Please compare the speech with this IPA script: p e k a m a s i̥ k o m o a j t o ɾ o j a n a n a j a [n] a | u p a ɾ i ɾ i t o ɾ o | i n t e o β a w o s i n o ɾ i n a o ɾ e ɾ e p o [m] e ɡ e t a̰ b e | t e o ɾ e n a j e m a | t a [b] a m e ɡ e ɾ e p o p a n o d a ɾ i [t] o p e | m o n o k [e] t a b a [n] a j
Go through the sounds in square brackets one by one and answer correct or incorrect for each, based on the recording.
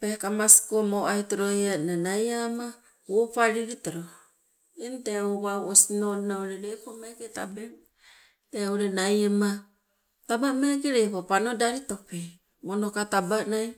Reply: incorrect: m, correct, correct, correct, incorrect: a, correct

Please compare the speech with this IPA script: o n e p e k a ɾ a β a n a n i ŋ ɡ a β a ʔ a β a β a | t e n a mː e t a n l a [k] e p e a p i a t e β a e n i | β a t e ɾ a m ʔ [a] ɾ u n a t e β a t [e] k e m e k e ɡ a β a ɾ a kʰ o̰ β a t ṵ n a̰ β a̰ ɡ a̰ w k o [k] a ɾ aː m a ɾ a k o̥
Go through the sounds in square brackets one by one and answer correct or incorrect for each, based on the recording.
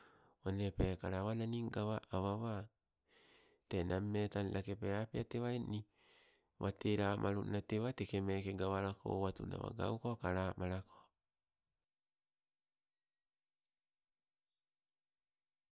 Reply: correct, correct, correct, correct

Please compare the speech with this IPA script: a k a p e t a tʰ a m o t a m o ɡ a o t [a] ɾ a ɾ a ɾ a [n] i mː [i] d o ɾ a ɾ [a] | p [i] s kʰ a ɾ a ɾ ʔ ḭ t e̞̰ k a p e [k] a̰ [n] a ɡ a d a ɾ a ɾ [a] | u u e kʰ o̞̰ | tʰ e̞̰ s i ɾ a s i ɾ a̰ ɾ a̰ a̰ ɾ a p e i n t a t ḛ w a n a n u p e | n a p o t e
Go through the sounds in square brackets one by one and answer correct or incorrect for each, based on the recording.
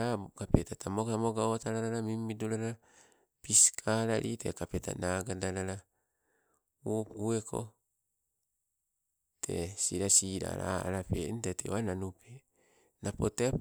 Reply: correct, incorrect: m, correct, correct, correct, incorrect: t, correct, correct

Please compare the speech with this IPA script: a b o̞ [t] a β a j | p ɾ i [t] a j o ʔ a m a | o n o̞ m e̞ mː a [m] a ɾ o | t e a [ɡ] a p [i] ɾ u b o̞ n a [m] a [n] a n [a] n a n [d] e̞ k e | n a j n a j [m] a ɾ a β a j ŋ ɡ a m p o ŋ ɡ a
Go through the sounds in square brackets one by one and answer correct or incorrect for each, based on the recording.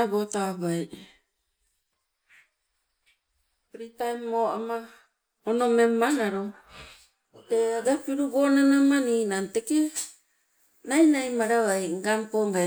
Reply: correct, correct, incorrect: n, correct, correct, incorrect: n, incorrect: m, incorrect: i, incorrect: t, correct

